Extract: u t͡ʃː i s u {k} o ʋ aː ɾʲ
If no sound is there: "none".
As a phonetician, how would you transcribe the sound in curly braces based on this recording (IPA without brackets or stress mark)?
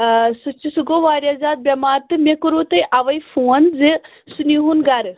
ɡ